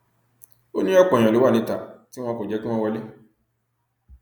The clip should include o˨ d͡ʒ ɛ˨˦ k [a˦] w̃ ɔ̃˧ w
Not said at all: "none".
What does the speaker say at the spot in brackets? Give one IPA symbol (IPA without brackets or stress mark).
i˦